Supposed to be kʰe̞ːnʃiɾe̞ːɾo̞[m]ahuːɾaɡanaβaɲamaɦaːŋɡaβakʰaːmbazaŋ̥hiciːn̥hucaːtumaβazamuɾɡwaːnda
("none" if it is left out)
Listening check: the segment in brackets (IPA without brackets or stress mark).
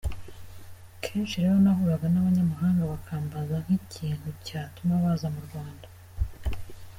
n